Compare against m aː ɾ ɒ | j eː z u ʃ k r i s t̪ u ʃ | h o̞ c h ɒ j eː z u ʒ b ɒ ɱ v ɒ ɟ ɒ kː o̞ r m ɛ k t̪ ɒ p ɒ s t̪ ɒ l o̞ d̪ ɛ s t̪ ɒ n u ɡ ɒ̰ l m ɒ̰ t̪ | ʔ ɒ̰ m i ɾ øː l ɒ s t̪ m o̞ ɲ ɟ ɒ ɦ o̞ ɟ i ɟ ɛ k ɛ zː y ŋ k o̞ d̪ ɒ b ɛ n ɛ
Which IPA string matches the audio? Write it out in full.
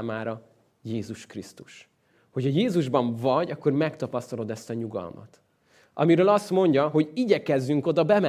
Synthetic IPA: m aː ɾ ɒ | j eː z u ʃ k r i s t̪ u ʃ | h o̞ c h ɒ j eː z u ʒ b ɒ ɱ v ɒ ɟ ɒ kː o̞ r m ɛ k t̪ ɒ p ɒ s t̪ ɒ l o̞ d̪ ɛ s t̪ ɒ ɲ u ɡ ɒ̰ l m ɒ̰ t̪ | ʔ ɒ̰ m i ɾ øː l ɒ s t̪ m o̞ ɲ ɟ ɒ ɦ o̞ ɟ i ɟ ɛ k ɛ zː y ŋ k o̞ d̪ ɒ b ɛ m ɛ